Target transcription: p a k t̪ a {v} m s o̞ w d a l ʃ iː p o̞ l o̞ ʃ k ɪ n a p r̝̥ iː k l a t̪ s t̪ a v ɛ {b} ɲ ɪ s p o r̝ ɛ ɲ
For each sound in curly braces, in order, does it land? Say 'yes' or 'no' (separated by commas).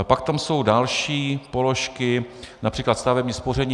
no, yes